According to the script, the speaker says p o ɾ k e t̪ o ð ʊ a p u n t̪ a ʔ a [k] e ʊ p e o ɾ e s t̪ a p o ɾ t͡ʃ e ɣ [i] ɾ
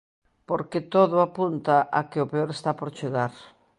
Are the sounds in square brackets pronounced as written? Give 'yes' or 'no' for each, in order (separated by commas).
yes, no